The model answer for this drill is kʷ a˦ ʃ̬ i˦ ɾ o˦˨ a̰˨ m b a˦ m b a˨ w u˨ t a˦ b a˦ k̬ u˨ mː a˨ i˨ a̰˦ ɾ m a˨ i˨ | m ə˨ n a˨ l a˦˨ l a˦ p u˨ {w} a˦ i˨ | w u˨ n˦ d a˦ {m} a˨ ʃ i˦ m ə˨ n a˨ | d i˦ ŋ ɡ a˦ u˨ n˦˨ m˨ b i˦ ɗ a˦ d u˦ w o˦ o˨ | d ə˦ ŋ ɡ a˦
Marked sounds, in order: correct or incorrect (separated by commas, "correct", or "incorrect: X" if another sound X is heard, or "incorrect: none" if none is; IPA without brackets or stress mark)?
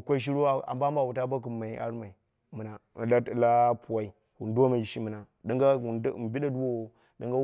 correct, correct